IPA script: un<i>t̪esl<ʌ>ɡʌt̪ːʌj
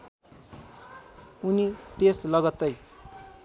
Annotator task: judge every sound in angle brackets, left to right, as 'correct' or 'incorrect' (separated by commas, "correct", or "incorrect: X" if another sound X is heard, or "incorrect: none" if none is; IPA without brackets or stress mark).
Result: correct, correct